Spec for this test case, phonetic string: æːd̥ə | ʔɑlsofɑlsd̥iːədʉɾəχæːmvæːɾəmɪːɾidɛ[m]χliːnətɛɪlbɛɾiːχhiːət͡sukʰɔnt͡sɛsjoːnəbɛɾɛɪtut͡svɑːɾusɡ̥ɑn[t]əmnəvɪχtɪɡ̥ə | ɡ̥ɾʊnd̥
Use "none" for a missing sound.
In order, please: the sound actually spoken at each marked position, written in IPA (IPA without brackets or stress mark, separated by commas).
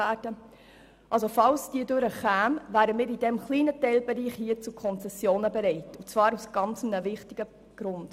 m, t͡s